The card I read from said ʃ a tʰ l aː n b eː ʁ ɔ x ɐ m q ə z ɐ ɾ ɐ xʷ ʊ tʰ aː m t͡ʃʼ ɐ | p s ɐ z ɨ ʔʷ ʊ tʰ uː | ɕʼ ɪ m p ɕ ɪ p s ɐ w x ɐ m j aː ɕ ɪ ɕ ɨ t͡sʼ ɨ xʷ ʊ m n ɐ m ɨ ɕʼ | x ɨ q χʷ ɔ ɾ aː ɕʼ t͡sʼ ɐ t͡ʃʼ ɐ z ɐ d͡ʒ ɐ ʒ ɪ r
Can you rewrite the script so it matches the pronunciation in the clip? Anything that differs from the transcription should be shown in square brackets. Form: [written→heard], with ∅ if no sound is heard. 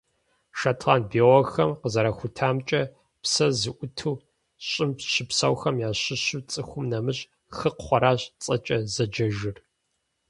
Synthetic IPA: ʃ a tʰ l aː n b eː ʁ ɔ x ɐ m q ə z ɐ ɾ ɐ xʷ ʊ tʰ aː m t͡ʃʼ ɐ | p s ɐ z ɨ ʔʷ ʊ tʰ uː | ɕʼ ɪ m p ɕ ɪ p s ɐ w x ɐ m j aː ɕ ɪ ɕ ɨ t͡sʼ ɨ xʷ ʊ m n ɐ m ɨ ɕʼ | x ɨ q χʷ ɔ ɾ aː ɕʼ t͡sʼ ɐ t͡ʃʼ ɐ z ɐ d͡ʒ ɐ ʒ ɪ r